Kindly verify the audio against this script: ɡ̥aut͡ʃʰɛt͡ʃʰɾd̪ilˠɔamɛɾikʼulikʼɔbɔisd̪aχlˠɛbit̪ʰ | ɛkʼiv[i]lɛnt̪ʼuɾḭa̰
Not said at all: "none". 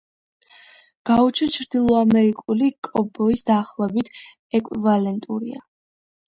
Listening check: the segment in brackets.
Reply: a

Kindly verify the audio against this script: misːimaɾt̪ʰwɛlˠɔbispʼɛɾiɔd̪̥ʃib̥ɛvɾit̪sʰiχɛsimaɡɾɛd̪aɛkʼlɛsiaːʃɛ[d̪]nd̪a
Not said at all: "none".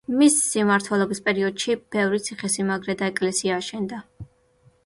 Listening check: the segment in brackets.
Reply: none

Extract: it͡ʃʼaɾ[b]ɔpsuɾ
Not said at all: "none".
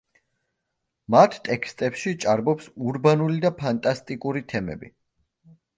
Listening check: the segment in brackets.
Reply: b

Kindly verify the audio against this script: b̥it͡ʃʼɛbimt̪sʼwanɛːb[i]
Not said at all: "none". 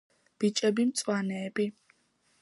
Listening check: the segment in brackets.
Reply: i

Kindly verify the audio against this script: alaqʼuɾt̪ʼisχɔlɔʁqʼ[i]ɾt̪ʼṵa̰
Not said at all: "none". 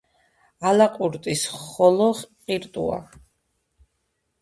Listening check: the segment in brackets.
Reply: i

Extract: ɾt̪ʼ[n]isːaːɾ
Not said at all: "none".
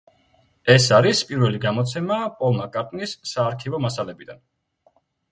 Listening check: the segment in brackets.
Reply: n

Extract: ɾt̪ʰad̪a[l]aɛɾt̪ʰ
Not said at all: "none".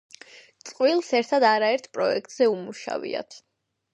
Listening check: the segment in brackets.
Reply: ɾ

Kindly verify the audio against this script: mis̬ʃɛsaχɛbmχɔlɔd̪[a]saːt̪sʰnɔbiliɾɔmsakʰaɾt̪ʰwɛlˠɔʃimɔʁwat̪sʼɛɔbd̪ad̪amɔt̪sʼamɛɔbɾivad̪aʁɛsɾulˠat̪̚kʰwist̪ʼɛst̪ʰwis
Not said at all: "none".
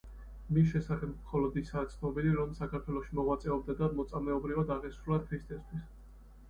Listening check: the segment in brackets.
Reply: i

